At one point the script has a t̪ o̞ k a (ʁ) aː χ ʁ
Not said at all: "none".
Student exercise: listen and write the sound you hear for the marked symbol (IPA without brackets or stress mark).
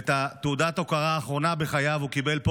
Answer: ʁ